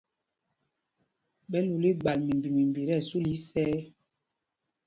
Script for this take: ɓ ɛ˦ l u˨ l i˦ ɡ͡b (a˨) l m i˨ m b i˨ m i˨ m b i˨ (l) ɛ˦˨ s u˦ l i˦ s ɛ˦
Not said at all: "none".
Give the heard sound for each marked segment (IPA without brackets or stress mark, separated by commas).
a˨, ɾ